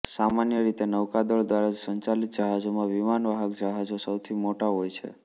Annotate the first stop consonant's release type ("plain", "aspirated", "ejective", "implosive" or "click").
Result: plain